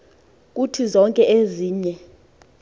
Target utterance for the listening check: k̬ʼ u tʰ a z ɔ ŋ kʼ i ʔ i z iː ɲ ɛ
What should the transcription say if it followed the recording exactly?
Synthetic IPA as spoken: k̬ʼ u tʰ i z ɔ ŋ kʼ ɛ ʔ e z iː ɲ ɛ